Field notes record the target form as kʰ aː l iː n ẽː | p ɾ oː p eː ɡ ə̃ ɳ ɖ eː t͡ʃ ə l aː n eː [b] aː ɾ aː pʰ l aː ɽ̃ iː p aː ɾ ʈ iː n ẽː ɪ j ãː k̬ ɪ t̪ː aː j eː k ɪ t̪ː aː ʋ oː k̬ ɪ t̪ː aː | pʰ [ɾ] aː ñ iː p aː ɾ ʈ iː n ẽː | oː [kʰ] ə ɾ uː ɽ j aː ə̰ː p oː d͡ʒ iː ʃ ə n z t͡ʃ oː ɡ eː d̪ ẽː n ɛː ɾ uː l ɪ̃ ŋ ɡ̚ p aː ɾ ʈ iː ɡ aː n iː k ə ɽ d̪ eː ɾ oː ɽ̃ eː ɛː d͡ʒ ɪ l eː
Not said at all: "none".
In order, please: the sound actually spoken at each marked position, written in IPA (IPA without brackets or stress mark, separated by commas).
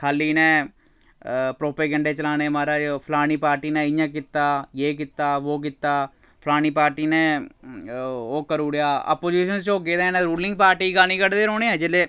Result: m, l, k